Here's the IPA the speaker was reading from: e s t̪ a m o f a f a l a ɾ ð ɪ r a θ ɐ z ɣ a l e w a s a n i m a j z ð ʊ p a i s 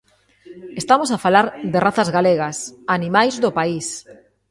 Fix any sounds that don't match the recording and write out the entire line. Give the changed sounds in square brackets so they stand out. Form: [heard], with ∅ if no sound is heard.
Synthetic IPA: e s t̪ a m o [s] a f a l a ɾ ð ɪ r a θ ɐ z ɣ a l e [ɣ] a s a n i m a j z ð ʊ p a i s